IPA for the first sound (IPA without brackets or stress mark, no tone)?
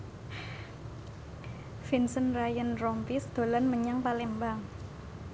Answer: f